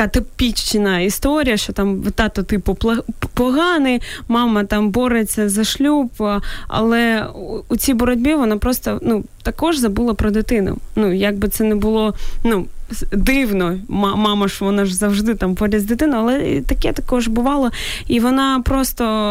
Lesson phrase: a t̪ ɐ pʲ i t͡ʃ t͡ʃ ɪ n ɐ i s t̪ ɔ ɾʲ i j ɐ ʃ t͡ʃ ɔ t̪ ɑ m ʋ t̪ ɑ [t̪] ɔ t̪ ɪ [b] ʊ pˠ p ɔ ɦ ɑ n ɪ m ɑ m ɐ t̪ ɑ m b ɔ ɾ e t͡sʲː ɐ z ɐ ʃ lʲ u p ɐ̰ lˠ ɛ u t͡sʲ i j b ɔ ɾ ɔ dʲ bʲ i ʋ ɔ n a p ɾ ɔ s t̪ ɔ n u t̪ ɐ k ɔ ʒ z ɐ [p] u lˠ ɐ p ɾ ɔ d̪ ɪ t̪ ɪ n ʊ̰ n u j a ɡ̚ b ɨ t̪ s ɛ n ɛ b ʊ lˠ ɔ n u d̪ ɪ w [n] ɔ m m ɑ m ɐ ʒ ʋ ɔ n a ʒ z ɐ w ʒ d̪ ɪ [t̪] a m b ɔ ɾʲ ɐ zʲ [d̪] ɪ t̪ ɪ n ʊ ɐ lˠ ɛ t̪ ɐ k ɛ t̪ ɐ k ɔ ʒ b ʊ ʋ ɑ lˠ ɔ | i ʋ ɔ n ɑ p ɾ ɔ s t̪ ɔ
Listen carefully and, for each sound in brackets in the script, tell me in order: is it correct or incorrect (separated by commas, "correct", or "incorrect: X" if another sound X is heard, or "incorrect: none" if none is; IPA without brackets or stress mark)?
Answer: correct, incorrect: p, incorrect: b, correct, correct, correct